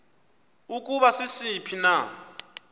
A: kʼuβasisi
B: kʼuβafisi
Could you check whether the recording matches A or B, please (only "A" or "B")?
A